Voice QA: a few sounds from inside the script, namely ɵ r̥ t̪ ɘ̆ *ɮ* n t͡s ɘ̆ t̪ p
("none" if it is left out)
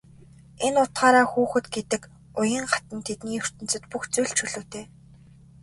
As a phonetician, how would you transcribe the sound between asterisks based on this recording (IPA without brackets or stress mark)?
none